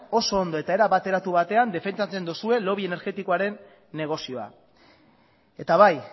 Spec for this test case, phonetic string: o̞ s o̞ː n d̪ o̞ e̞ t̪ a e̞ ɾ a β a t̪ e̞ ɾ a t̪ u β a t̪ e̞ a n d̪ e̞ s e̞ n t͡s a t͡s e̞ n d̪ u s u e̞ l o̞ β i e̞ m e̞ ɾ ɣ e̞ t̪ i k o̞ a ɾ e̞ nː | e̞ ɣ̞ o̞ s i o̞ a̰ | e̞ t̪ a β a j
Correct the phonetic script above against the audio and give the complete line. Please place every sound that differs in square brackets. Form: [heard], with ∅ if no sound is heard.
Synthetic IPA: o̞ s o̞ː n d̪ o̞ e̞ t̪ a e̞ ɾ a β a t̪ e̞ ɾ a t̪ u β a t̪ e̞ a n d̪ e̞ [f] e̞ n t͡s a t͡s e̞ n d̪ u s u e̞ l o̞ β i e̞ [n] e̞ ɾ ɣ e̞ t̪ i k o̞ a ɾ e̞ nː | e̞ ɣ̞ o̞ s i o̞ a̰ | e̞ t̪ a β a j